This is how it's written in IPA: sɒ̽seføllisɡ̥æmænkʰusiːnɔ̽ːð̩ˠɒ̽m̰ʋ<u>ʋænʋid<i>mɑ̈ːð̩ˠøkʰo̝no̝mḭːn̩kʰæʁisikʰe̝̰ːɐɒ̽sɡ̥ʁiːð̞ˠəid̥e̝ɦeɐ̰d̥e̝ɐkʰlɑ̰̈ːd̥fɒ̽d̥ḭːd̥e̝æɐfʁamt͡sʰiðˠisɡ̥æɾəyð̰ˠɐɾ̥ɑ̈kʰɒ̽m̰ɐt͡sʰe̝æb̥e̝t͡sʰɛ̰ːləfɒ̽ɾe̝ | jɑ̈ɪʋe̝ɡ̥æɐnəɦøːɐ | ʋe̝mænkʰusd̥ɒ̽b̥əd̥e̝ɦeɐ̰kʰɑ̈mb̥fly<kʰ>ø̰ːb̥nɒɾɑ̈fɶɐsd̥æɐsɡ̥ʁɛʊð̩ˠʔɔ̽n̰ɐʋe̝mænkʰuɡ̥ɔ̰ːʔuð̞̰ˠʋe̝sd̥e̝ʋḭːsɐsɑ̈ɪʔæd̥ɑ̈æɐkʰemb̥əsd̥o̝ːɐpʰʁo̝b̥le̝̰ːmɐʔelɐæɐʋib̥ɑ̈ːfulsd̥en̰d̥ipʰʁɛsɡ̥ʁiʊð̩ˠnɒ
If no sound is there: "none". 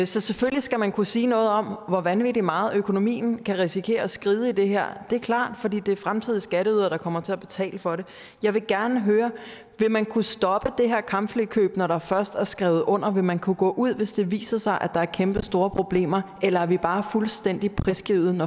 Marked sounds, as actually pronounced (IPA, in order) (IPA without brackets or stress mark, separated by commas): ɒ, i, kʰ